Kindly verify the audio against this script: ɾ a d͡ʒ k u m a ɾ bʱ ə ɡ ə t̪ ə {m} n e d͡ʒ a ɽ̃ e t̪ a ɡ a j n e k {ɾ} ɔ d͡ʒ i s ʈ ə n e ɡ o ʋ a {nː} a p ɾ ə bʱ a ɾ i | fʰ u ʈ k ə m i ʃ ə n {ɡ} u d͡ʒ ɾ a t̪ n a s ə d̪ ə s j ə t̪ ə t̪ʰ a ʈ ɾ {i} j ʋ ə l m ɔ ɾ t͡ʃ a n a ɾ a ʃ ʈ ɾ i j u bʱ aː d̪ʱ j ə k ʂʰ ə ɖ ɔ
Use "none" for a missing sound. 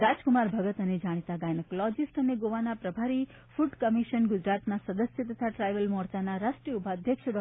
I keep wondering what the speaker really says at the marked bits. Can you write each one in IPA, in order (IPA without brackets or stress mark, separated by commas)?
none, l, n, ɡ, a